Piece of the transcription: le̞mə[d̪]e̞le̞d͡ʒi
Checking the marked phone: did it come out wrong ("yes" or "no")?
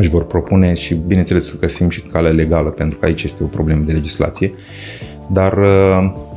no